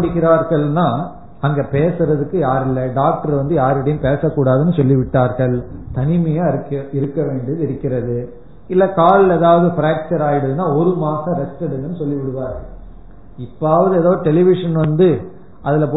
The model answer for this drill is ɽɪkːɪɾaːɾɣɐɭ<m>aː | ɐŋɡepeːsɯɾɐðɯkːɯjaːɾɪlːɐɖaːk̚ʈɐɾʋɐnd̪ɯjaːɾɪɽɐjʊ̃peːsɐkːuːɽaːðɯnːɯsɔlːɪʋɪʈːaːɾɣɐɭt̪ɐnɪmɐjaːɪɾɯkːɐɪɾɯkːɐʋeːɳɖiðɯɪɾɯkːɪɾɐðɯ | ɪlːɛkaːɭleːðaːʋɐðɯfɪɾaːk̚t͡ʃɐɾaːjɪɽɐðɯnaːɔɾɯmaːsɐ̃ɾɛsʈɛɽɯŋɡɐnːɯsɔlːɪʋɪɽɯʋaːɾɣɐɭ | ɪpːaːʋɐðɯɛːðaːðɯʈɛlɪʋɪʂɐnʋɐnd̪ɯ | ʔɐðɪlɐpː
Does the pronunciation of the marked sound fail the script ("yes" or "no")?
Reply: yes